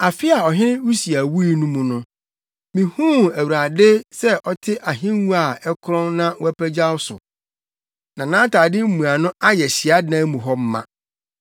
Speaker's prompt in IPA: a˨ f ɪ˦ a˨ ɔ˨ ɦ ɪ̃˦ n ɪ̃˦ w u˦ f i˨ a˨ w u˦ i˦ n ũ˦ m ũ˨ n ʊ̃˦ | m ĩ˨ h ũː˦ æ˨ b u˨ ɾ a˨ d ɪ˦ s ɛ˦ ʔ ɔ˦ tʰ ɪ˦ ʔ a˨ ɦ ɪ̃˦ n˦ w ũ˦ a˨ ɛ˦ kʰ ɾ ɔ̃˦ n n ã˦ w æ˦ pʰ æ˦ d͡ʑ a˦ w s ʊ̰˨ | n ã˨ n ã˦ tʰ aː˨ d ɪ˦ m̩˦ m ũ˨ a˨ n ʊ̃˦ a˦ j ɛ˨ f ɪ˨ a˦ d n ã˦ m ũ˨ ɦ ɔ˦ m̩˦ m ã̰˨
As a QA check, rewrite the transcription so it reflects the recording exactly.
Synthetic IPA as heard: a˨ f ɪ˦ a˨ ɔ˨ ɦ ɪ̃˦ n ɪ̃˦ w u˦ s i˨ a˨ w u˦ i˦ n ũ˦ m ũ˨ n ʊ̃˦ | m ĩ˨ h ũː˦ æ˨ w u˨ ɾ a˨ d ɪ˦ s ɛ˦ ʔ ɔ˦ tʰ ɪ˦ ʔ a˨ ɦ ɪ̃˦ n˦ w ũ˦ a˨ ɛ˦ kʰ ɾ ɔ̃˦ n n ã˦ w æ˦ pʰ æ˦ d͡ʑ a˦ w s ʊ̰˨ | n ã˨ n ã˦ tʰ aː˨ d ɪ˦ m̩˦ m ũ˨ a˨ n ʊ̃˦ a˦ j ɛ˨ ɕ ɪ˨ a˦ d n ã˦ m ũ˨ ɦ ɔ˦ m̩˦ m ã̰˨